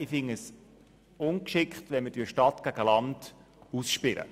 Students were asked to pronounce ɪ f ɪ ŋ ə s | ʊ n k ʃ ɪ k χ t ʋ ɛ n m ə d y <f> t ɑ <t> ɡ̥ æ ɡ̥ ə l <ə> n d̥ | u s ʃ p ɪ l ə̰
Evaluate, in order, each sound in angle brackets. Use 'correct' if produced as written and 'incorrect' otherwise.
incorrect: ʃ, correct, incorrect: ɑ

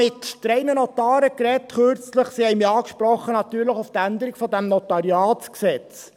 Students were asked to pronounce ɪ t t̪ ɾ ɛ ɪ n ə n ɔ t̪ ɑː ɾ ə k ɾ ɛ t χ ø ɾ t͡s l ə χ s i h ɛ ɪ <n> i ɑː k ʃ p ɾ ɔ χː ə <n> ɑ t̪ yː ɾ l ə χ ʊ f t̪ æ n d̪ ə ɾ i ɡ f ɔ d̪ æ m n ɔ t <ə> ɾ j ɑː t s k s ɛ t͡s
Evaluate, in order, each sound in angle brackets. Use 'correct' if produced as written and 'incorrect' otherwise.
incorrect: m, correct, incorrect: ɑ

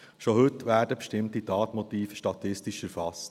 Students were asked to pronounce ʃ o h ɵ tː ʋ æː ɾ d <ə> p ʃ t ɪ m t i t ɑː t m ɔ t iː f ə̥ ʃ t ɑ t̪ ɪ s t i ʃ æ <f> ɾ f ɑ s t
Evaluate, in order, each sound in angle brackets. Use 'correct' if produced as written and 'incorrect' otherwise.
correct, incorrect: none

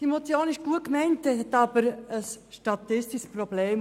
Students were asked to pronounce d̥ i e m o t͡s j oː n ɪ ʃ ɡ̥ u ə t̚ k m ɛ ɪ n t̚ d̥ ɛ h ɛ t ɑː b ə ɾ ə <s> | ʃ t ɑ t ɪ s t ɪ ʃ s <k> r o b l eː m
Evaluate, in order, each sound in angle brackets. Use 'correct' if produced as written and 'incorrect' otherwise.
correct, incorrect: p

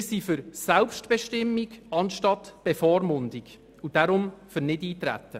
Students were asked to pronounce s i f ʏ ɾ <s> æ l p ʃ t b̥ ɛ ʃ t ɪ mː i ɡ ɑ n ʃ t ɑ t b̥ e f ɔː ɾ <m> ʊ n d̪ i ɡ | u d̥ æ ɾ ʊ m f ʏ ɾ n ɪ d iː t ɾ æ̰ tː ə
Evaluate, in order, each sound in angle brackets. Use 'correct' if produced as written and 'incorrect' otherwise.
correct, correct

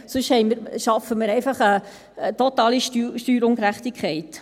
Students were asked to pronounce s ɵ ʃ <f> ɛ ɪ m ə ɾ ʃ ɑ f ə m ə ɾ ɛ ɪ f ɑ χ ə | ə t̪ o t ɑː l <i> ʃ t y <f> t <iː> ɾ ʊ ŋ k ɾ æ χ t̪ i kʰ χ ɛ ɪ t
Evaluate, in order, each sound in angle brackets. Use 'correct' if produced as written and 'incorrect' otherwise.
incorrect: h, correct, incorrect: ʃ, incorrect: yː

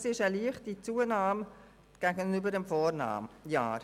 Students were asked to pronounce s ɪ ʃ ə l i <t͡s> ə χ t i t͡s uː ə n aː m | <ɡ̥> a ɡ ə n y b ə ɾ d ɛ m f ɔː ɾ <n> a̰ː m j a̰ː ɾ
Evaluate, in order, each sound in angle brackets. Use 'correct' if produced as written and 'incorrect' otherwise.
incorrect: none, correct, correct

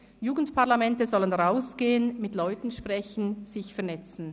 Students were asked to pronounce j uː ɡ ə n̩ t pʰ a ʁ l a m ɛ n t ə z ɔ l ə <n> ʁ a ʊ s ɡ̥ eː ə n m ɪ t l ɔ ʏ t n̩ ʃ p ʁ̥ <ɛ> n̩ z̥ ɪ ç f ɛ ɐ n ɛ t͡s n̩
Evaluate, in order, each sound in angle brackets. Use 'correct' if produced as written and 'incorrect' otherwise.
correct, correct

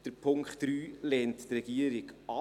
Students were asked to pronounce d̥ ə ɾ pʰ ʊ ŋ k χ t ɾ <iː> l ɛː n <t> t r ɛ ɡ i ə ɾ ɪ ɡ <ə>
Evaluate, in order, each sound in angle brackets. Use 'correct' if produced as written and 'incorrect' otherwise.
incorrect: yː, correct, incorrect: ɑ

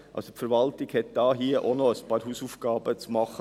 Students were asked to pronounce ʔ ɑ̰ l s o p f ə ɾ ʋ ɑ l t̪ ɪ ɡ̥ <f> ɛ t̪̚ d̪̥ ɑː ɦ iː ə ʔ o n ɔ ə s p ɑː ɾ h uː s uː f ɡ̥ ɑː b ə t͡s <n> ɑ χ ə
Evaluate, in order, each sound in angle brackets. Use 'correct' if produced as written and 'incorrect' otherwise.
incorrect: h, incorrect: m

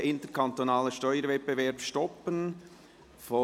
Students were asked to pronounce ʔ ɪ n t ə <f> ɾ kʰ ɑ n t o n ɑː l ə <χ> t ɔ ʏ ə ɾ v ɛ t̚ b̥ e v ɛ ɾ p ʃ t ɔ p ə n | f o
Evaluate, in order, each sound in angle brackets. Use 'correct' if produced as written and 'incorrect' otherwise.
incorrect: none, incorrect: ʃ

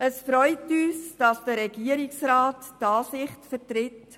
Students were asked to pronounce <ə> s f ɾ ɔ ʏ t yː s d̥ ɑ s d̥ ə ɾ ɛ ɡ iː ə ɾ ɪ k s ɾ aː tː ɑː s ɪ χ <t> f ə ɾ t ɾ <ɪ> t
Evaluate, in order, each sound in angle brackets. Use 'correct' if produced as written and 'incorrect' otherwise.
correct, correct, correct

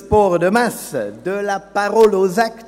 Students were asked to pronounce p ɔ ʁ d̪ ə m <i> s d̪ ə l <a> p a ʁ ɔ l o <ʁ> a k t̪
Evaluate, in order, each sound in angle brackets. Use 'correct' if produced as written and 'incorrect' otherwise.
incorrect: a, correct, incorrect: z

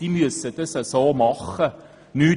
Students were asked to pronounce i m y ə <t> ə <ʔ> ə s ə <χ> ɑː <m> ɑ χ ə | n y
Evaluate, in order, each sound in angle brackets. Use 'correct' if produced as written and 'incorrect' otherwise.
incorrect: s, incorrect: t, incorrect: s, correct

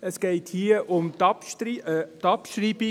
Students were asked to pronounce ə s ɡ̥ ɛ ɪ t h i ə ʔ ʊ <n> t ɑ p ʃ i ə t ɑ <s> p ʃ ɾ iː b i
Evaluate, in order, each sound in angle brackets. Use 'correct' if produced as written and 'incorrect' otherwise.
incorrect: m, incorrect: none

